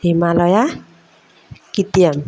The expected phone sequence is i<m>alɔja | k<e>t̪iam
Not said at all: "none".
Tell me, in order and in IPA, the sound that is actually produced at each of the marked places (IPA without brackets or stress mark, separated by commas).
m, i